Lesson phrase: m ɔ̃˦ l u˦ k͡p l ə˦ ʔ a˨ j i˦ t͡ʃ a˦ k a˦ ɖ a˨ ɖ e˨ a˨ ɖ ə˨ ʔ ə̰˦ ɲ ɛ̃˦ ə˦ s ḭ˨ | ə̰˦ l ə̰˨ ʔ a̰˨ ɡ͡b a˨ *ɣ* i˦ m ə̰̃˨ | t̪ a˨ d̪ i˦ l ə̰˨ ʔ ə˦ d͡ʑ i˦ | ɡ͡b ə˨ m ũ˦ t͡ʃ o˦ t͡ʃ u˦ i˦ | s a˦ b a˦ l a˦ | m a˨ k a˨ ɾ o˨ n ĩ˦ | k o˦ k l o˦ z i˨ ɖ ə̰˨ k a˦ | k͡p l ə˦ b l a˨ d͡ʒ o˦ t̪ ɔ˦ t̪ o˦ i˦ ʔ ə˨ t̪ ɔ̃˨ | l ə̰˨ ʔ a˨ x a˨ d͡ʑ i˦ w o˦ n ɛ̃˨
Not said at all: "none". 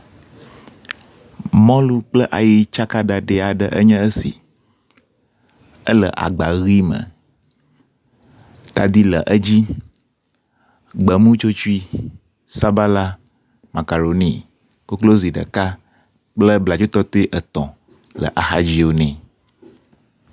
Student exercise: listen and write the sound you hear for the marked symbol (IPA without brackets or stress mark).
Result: ɣ